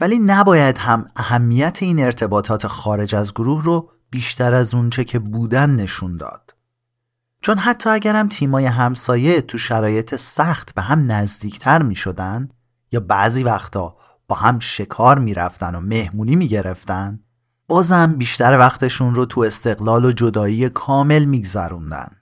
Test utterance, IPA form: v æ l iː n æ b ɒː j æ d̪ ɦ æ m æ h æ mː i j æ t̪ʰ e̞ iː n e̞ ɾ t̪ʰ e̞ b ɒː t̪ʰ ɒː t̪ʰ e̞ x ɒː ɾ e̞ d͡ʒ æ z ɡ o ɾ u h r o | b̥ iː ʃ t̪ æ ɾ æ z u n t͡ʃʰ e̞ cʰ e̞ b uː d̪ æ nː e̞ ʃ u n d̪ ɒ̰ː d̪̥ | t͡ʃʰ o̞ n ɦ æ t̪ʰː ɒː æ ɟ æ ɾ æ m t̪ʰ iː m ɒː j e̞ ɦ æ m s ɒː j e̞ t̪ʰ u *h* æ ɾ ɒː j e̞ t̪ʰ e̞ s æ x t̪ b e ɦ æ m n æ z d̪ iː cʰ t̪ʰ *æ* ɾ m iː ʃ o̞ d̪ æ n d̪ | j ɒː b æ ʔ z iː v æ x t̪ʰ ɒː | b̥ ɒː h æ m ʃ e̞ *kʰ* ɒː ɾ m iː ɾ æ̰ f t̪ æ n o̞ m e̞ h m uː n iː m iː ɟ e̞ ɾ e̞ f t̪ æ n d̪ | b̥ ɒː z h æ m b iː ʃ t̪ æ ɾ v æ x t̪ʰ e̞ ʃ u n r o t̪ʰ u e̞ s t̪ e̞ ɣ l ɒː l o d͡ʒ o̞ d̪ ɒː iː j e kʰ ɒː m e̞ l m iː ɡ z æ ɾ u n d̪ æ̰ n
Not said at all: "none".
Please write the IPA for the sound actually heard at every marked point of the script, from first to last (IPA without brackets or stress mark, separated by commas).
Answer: ʃ, æ, kʰ